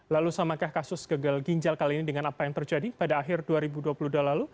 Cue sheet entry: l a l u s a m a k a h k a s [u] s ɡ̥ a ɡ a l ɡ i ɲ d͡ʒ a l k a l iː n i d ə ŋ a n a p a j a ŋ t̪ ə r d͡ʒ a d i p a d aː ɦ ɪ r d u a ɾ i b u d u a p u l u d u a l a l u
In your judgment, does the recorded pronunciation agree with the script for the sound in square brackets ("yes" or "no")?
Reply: no